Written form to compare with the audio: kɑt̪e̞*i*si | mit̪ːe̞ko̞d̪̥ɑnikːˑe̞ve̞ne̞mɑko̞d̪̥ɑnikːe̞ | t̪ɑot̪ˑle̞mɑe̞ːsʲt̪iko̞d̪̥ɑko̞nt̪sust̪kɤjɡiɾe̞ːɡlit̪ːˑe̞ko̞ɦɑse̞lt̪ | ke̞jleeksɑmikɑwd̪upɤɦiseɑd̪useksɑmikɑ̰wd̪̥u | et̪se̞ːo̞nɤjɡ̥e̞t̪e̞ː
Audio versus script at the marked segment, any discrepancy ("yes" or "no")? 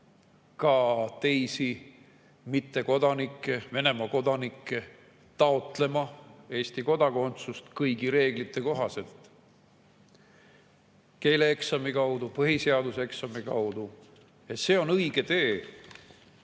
yes